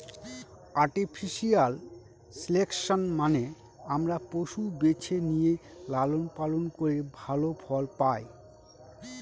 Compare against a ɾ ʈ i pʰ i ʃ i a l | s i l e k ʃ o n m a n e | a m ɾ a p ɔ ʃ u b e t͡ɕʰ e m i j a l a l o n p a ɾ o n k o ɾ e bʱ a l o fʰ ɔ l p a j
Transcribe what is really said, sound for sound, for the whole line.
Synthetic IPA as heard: a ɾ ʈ i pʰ i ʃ i a l | s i l e k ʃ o n m a n e | a m ɾ a p o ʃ u b e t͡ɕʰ e n i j e l a l o n p a l o n k o ɾ e bʱ a l o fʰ ɔ l p a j

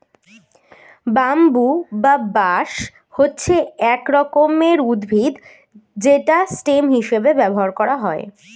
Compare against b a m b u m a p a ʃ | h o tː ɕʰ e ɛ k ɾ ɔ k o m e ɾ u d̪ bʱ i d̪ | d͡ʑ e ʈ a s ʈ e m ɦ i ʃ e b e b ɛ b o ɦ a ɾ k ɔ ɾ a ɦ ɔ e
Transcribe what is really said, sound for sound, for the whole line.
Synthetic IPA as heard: b a m b u b a b a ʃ | h o tː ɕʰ e ɛ k ɾ ɔ k o m e ɾ u d̪ bʱ i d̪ | d͡ʑ e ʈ a s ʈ e m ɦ i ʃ e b e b ɛ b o ɦ a ɾ k ɔ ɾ a ɦ ɔ e

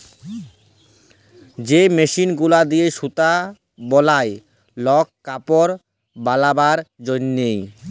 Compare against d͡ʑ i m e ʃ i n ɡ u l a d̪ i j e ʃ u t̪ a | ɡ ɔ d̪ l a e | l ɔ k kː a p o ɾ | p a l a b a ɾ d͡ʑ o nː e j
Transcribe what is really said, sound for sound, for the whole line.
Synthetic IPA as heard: d͡ʑ e m e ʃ i n ɡ u l a d̪ i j e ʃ u t̪ a | b ɔ l a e | l ɔ k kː a p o ɾ | b a l a b a ɾ d͡ʑ o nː e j

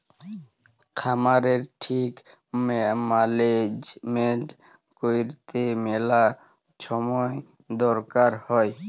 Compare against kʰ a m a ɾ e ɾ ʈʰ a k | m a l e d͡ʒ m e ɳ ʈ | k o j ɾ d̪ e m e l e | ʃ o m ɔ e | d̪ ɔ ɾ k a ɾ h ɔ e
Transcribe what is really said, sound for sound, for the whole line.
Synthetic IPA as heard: kʰ a m a ɾ e ɾ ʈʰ i k | m a l e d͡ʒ m e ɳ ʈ | k o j ɾ t̪ e m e l a | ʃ ɔ m ɔ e | d̪ ɔ ɾ k a ɾ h ɔ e

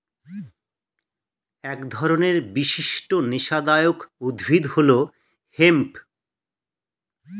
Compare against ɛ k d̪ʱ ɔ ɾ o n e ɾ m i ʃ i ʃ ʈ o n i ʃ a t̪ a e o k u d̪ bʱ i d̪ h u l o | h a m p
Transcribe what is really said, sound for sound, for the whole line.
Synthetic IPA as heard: ɛ k d̪ʱ ɔ ɾ o n e ɾ b i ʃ i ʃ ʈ o n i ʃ a d̪ a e o k u d̪ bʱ i d̪ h o l o | h e m p

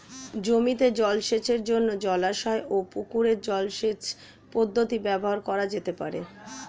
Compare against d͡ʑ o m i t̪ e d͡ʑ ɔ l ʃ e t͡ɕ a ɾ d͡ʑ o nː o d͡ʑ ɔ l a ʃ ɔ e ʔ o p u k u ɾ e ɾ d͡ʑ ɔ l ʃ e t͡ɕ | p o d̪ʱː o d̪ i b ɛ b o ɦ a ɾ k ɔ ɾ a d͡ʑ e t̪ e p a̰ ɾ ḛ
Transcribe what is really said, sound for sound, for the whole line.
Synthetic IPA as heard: d͡ʑ o m i t̪ e d͡ʑ ɔ l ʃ e t͡ɕ e ɾ d͡ʑ o nː o d͡ʑ ɔ l a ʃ ɔ e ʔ o p u k u ɾ e ɾ d͡ʑ ɔ l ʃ e t͡ɕ | p o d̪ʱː o t̪ i b ɛ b o ɦ a ɾ k ɔ ɾ a d͡ʑ e t̪ e p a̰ ɾ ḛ

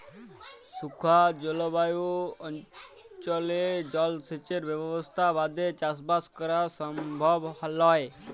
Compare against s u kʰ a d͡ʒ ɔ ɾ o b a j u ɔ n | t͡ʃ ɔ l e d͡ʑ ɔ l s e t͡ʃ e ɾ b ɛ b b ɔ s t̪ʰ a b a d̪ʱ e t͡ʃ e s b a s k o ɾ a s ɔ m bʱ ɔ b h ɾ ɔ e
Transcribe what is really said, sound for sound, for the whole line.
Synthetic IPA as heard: s u kʰ a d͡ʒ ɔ l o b a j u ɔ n | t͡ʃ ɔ l e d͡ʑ ɔ l s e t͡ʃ e ɾ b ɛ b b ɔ s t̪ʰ a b a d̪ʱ e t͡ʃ a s b a s k ɔ ɾ a s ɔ m bʱ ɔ b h l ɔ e

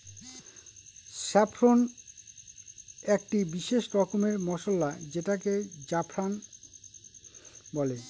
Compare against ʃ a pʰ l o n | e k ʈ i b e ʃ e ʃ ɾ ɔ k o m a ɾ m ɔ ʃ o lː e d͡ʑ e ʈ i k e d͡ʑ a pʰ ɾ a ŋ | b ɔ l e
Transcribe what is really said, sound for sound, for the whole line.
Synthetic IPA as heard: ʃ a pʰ ɾ o n | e k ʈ i b i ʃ e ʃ ɾ ɔ k o m e ɾ m ɔ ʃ o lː a d͡ʑ e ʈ a k e d͡ʑ a pʰ ɾ a n | b ɔ l e

